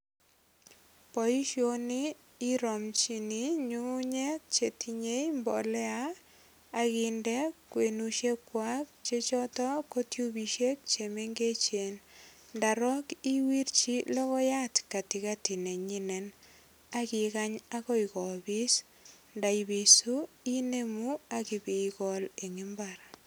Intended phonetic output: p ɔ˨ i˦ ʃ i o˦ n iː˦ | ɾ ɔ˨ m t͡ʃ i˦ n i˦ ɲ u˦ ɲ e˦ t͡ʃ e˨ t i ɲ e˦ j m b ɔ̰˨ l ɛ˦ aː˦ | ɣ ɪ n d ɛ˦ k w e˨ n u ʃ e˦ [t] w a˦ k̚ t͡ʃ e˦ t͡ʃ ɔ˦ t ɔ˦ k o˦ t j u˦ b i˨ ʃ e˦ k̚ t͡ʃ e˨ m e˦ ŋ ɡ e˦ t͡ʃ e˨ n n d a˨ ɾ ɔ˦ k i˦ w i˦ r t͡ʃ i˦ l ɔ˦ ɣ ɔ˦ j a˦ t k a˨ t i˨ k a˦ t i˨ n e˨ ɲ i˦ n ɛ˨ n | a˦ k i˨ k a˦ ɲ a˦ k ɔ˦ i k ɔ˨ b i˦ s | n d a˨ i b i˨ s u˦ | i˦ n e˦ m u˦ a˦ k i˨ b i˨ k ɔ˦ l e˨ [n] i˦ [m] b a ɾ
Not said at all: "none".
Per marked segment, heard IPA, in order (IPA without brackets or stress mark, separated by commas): k, ŋ, m